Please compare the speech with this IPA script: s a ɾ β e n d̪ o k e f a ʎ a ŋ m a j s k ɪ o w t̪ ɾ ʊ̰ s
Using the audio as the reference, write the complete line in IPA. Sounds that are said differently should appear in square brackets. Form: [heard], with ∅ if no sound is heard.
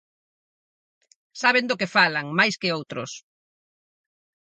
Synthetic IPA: s a [∅] β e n d̪ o k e f a [l] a ŋ m a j s k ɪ o w t̪ ɾ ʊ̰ s